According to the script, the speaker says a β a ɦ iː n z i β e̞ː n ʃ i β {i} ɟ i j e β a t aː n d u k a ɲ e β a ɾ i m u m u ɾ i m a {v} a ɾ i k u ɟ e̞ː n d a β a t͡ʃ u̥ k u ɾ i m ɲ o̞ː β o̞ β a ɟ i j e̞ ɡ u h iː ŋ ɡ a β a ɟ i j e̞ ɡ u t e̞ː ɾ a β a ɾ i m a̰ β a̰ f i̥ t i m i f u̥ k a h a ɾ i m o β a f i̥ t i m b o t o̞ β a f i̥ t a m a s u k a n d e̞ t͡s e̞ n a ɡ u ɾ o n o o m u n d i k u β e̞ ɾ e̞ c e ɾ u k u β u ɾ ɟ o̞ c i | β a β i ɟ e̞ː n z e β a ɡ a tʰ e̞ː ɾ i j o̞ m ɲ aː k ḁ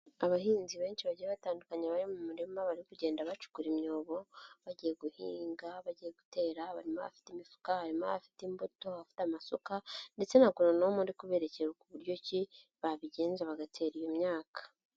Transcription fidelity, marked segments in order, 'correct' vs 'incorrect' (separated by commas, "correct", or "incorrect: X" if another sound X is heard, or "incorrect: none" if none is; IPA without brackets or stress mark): incorrect: a, incorrect: β